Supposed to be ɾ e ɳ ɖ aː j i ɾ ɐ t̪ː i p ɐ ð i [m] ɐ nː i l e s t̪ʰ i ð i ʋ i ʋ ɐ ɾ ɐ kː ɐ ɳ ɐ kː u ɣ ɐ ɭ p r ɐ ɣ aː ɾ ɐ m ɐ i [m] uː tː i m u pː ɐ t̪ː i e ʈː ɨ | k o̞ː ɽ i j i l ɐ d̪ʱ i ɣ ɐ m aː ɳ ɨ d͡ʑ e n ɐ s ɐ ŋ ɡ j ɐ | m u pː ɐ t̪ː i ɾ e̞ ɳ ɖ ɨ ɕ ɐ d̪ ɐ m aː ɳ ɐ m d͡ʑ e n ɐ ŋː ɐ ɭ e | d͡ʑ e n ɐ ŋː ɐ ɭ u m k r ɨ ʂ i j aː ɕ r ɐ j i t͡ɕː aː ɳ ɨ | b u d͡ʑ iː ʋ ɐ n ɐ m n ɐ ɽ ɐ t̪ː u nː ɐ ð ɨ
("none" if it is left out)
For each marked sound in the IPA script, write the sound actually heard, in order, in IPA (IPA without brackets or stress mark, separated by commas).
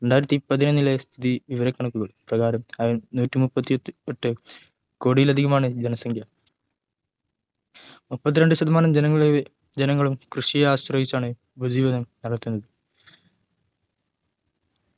n, n